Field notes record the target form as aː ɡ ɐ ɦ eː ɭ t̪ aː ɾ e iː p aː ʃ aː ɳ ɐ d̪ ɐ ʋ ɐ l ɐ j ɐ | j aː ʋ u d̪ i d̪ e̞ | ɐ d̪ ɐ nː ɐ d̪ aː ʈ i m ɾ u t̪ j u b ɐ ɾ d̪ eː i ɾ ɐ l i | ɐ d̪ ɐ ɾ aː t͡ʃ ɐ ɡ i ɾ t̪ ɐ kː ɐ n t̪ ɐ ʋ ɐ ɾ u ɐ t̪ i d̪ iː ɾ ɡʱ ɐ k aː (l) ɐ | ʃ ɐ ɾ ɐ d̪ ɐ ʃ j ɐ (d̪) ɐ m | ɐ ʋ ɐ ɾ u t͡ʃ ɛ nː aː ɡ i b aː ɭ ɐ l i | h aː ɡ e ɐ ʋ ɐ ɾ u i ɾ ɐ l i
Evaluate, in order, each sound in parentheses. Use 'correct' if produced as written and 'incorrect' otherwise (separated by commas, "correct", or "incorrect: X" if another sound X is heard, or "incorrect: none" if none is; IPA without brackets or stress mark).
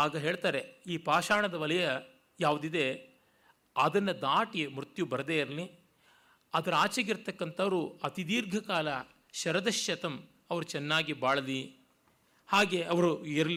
correct, incorrect: t̪